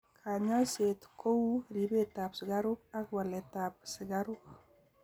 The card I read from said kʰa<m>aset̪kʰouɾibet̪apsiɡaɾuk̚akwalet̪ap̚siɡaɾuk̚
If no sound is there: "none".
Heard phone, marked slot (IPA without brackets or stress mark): ɲ